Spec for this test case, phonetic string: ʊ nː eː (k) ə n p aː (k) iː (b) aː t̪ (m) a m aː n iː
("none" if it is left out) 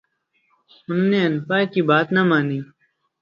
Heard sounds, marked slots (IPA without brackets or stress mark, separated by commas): none, k, b, n